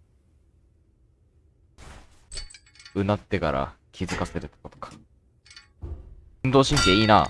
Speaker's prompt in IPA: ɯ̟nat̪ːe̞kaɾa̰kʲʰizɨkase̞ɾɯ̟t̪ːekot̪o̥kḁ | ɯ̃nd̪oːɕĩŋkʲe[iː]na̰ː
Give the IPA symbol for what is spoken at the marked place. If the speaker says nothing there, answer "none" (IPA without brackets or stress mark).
iː